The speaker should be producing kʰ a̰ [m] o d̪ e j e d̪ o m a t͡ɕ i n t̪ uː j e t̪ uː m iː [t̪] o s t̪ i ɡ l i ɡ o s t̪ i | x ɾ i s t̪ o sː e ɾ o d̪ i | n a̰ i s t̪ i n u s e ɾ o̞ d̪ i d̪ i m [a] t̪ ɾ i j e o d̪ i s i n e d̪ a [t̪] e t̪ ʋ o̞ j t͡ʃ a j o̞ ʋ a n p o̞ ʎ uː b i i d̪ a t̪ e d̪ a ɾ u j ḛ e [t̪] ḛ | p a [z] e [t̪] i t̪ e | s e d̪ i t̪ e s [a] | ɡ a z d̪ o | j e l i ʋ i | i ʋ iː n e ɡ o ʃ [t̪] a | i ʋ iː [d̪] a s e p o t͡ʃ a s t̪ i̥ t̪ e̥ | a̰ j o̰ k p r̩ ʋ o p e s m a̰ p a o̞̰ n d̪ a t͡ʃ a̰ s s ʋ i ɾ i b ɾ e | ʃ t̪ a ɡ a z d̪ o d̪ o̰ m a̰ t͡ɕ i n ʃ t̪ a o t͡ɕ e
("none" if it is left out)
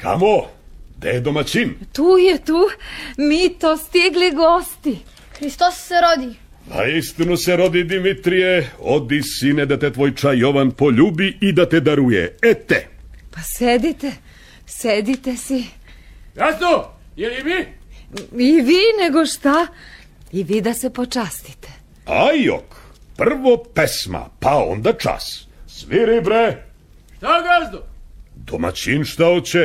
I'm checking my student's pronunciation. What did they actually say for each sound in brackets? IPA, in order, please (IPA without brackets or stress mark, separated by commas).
m, t̪, i, t̪, t̪, s, d̪, i, t̪, d̪